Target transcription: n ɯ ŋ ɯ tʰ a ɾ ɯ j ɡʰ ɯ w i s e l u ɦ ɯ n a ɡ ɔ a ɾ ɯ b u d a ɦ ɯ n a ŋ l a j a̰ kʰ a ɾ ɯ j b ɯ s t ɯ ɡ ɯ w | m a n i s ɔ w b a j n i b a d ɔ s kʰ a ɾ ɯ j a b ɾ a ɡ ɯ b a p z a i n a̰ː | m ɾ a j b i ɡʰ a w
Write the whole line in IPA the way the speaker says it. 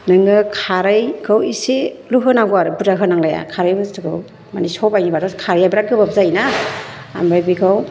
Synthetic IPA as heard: n ɯ ŋ ɯ kʰ a ɾ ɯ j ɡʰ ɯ w i s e l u ɦ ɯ n a ɡ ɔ a ɾ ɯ b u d a ɦ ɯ n a ŋ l a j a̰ kʰ a ɾ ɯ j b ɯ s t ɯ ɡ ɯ w | m a n i s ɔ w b a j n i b a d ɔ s kʰ a ɾ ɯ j a b ɾ a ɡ ɯ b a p z a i n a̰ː | m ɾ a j b i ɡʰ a w